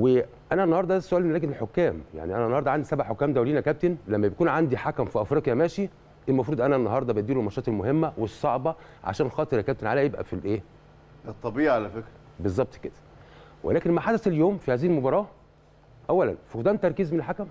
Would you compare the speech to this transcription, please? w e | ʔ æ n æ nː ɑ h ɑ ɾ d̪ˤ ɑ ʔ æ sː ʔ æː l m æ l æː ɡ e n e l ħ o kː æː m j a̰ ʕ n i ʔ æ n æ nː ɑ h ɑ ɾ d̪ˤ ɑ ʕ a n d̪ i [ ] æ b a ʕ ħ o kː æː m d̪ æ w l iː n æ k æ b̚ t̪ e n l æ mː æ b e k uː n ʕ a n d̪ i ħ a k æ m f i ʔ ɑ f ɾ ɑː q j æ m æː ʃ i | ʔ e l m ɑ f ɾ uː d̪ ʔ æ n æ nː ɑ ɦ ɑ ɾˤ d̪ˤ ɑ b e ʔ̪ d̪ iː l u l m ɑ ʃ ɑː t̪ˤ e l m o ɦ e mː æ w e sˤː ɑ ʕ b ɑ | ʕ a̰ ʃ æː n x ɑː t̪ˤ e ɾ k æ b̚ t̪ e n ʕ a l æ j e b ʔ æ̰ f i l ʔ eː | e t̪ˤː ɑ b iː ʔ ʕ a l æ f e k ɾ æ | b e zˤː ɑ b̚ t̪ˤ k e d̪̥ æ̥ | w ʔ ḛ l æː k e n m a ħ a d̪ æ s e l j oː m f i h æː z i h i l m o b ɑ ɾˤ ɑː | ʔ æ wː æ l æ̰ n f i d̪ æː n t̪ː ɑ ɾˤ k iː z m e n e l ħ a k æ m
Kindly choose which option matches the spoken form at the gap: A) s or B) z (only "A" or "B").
A